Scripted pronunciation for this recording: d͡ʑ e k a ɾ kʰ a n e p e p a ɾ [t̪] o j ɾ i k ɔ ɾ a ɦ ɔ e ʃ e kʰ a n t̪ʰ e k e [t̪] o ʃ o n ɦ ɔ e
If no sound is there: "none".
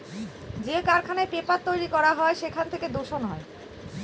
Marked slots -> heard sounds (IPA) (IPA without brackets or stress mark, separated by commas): t̪, d̪